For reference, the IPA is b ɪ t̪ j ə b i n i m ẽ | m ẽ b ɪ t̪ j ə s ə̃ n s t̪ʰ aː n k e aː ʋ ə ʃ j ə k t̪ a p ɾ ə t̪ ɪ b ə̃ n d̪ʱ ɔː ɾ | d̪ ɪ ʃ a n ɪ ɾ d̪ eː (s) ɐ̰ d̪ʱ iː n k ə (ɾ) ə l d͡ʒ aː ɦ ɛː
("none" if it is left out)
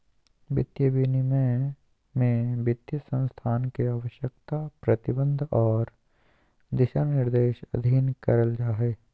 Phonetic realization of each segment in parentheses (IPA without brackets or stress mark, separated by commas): ʃ, ɾ